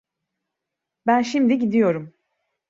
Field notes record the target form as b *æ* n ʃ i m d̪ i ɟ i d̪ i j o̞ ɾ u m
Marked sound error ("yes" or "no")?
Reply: no